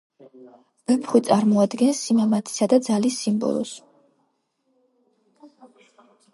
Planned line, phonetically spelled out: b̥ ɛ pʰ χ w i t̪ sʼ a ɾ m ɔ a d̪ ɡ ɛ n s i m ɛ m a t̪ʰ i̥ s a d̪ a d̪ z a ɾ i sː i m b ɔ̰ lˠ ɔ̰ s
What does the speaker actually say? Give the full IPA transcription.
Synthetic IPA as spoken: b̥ ɛ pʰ χ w i t̪ sʼ a ɾ m ɔ a d̪ ɡ ɛ n s i m a m a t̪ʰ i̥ s a d̪ a d̪ z a l i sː i m b ɔ̰ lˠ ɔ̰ s